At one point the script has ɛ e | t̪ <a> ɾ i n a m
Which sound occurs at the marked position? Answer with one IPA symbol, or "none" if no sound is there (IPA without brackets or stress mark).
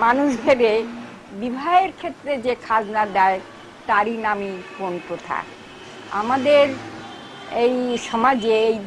a